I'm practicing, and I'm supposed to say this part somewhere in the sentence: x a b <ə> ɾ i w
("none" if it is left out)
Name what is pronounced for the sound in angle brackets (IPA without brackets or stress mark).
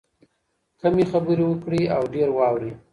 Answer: ə